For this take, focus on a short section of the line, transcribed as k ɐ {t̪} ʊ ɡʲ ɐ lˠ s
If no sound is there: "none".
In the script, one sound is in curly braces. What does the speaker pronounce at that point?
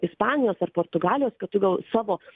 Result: t̪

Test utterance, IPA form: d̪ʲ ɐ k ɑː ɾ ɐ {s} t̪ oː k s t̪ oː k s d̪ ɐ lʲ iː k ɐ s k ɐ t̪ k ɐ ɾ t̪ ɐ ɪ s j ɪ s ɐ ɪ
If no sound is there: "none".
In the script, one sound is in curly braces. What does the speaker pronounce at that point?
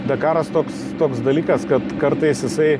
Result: s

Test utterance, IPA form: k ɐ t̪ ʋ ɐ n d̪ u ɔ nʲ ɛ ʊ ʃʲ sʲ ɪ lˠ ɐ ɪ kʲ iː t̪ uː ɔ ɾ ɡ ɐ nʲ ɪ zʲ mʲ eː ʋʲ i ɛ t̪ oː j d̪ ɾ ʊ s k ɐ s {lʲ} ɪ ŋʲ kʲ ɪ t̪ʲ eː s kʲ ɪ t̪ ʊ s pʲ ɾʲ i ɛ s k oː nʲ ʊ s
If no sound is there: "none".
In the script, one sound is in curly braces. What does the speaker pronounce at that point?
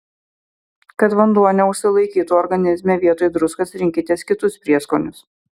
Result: ɾʲ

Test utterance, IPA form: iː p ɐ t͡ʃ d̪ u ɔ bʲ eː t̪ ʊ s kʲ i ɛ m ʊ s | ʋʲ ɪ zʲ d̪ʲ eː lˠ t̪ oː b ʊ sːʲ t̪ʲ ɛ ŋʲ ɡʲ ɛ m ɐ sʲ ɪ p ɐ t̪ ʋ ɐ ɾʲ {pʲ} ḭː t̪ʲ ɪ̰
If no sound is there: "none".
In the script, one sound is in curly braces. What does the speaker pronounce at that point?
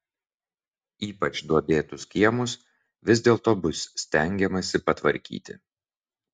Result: kʲ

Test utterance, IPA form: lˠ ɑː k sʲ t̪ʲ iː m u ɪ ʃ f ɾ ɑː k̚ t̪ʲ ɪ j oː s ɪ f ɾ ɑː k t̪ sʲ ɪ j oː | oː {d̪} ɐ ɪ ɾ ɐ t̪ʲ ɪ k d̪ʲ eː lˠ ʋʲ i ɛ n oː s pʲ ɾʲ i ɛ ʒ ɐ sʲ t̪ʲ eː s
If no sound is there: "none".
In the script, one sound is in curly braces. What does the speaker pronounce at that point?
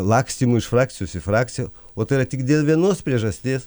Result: t̪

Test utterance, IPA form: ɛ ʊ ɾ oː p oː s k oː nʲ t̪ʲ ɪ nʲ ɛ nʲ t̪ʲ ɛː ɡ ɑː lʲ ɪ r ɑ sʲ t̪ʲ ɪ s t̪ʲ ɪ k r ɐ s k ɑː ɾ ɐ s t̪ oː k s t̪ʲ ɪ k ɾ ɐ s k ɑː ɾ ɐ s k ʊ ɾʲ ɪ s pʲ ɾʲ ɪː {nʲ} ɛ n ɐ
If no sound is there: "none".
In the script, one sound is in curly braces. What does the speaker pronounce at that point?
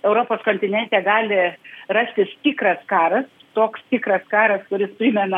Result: mʲ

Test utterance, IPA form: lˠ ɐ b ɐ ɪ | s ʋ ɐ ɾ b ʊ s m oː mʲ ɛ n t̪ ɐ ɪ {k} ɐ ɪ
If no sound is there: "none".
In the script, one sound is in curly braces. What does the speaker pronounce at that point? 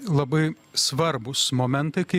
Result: k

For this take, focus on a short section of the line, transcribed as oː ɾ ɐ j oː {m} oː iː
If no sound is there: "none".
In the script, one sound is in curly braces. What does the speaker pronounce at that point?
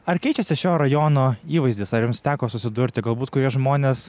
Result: n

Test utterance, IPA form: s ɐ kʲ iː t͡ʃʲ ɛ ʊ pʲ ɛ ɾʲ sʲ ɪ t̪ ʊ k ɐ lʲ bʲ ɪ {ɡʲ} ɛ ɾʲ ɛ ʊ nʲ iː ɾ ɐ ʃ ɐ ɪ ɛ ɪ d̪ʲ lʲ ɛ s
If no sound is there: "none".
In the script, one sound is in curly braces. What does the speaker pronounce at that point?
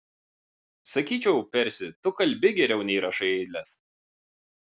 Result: ɡʲ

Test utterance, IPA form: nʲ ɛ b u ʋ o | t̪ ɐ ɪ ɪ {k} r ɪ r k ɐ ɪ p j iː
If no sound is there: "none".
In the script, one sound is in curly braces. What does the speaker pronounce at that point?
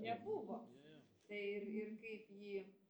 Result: none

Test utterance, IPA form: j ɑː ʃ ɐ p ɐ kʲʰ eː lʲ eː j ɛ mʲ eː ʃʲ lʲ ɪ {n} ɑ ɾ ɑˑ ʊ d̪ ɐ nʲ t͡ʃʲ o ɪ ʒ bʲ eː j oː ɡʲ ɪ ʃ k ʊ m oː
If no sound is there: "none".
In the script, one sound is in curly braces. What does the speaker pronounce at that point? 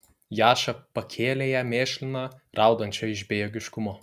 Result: n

